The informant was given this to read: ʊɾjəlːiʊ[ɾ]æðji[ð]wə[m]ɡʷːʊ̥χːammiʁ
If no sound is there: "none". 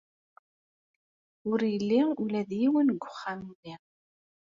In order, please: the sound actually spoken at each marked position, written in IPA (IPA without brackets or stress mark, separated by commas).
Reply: l, none, n